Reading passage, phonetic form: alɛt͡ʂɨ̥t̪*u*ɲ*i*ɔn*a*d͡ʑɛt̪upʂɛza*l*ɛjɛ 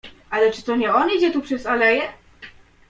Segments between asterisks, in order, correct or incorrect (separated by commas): incorrect, incorrect, incorrect, correct